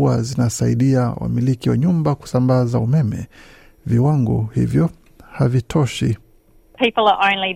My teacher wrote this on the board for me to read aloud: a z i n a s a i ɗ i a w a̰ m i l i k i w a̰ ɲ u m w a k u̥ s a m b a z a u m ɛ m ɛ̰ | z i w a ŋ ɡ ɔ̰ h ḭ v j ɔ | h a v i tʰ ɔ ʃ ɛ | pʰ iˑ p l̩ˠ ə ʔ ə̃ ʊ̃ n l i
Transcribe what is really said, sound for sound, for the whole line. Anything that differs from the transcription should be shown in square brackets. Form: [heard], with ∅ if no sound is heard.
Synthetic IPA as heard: a z i n a s a i ɗ i a w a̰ m i l i k i w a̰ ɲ u m [b] a k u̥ s a m b a z a u m ɛ m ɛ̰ | [v] i w a ŋ ɡ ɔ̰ h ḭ v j ɔ | h a v i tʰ ɔ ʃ [i] | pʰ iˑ p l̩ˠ ə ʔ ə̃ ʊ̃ n l i